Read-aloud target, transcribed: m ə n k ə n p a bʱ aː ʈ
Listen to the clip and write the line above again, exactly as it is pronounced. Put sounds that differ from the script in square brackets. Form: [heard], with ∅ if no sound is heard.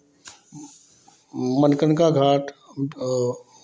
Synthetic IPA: m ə n k ə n [k] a [ɡʱ] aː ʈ

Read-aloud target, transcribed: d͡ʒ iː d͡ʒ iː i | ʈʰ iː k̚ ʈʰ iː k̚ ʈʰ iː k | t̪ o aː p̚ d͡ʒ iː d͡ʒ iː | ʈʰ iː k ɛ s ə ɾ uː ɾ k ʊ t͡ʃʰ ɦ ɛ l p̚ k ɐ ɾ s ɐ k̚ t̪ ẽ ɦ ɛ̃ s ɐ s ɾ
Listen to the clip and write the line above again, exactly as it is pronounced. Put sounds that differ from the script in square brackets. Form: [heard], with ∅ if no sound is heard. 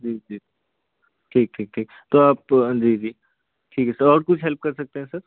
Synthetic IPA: d͡ʒ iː d͡ʒ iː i | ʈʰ iː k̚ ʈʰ iː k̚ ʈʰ iː k | t̪ o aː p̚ d͡ʒ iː d͡ʒ iː | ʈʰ iː k ɛ s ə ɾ [ɔː] ɾ k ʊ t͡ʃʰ ɦ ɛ l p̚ k ɐ ɾ s ɐ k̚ t̪ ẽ ɦ ɛ̃ s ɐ [∅] ɾ

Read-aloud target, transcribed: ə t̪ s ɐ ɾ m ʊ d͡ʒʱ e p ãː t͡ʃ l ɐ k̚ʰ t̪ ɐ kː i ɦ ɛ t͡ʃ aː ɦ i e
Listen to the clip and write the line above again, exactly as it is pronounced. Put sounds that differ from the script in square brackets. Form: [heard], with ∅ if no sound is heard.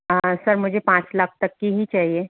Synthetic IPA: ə [∅] s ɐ ɾ m ʊ d͡ʒʱ e p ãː t͡ʃ l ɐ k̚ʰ t̪ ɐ kː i ɦ [i] t͡ʃ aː ɦ i e

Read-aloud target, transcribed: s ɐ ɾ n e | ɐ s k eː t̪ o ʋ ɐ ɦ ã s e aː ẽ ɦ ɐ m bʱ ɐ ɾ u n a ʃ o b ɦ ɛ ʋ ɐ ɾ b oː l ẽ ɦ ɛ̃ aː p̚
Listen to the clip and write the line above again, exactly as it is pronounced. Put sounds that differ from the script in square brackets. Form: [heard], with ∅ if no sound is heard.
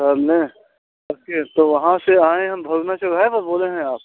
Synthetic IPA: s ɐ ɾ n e | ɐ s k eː t̪ o ʋ ɐ ɦ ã s e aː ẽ ɦ ɐ m bʱ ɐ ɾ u n a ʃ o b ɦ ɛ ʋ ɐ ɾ b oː l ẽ ɦ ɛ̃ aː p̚

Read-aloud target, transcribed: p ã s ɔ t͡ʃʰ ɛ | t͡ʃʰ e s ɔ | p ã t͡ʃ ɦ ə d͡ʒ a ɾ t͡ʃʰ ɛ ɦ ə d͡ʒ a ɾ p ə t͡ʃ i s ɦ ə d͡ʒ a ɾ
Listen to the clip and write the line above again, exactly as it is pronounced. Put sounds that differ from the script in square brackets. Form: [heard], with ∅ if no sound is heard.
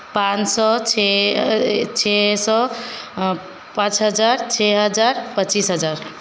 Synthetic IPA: p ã s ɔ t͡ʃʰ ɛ | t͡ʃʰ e s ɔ | p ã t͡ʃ ɦ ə d͡ʒ a ɾ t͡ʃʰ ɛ ɦ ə d͡ʒ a ɾ p ə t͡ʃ i s ɦ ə d͡ʒ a ɾ

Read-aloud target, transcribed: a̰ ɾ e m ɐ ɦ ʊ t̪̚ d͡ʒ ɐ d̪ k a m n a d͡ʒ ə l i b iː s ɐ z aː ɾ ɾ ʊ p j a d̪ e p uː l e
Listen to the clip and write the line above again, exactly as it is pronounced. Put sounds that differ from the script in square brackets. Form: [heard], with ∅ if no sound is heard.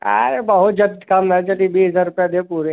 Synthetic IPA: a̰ ɾ e [b] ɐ ɦ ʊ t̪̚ d͡ʒ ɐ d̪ k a m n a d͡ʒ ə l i b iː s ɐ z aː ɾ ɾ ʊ p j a d̪ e p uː [ɾ] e

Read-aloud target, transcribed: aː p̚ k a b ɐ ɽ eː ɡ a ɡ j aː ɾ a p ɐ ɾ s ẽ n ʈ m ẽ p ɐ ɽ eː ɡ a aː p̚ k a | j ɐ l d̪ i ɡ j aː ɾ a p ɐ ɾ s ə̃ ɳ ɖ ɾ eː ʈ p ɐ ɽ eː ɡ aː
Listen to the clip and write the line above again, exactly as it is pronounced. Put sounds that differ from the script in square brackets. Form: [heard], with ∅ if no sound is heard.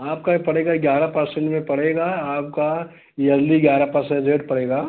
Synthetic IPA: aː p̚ k a [p] ɐ ɽ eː ɡ a ɡ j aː ɾ a p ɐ ɾ s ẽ [ɳ] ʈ m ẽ p ɐ ɽ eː ɡ a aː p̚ k a | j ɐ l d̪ i ɡ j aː ɾ a p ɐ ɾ s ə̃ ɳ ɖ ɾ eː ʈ p ɐ ɽ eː ɡ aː

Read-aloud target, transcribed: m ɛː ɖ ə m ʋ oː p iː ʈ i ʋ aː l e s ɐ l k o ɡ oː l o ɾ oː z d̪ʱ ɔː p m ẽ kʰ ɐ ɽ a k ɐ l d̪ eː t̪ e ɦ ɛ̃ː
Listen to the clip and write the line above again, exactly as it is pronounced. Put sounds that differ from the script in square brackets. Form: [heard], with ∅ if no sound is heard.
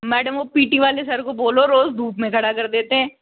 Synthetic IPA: m ɛː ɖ ə m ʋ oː p iː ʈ i ʋ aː l e s ɐ [ɾ] k o [b] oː l o ɾ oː z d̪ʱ [uː] p m ẽ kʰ ɐ ɽ a k ɐ [ɾ] d̪ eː t̪ e ɦ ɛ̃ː

